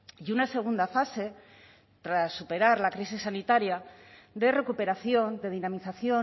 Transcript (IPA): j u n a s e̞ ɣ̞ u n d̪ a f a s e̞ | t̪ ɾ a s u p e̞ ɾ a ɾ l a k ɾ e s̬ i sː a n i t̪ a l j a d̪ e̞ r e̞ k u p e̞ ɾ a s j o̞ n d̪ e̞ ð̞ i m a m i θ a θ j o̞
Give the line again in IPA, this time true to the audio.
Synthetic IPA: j u n a s e̞ ɣ̞ u n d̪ a f a s e̞ | t̪ ɾ a sː u p e̞ ɾ a ɾ l a k ɾ i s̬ i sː a n i t̪ a ɾ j a d̪ e̞ r e̞ k u p e̞ ɾ a θ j o̞ n d̪ e̞ ð̞ i n a m i θ a θ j o̞